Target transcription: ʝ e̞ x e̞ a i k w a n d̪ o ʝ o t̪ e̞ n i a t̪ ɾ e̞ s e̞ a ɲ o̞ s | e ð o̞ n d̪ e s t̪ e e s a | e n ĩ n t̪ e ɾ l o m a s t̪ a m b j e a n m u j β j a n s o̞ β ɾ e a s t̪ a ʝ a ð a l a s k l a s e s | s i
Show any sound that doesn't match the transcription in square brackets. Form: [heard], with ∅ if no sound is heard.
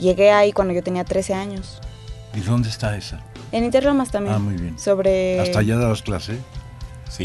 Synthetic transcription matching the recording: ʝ e̞ [ɣ] e̞ a i k w a n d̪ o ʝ o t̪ e̞ n i a t̪ ɾ e̞ s e̞ a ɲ o̞ s | [i] ð o̞ n d̪ e s t̪ [a] e s a | e n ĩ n t̪ e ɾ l o m a s t̪ a m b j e a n m u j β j [e] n s o̞ β ɾ e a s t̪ a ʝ a ð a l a s k l a s e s | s i